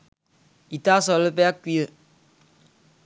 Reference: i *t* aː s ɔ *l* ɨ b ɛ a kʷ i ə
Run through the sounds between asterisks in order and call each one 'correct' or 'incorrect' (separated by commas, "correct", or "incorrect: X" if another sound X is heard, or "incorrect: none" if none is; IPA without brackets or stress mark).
correct, correct